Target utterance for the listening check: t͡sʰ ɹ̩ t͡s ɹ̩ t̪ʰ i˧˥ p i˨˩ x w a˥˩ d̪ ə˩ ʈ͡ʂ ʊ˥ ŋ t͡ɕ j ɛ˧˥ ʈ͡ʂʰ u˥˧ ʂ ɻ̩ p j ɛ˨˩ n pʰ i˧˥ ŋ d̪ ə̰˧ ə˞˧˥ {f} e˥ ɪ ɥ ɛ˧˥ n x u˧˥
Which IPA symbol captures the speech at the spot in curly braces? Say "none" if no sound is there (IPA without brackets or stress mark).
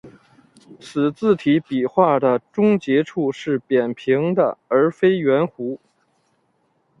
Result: f